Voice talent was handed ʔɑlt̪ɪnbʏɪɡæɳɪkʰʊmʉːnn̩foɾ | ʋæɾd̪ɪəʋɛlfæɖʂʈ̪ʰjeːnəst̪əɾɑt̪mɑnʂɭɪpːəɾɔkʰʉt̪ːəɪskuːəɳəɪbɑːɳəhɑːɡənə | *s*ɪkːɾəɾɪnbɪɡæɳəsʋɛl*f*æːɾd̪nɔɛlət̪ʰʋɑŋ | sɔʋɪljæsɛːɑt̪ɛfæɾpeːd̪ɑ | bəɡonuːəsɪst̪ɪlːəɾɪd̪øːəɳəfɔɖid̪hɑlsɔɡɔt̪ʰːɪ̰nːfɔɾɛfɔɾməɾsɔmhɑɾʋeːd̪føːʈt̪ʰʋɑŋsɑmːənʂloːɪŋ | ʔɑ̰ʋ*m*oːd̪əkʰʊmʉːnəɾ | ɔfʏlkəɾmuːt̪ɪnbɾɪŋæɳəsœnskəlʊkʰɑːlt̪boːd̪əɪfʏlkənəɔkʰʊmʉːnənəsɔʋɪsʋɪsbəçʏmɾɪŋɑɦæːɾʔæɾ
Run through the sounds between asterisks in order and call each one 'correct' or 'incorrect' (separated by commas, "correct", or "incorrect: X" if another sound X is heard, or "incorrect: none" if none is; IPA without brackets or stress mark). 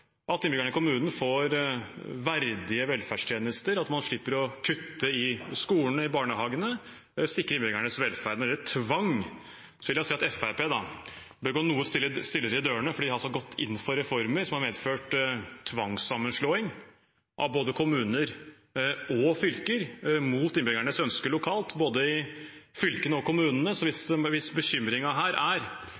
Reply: correct, correct, incorrect: b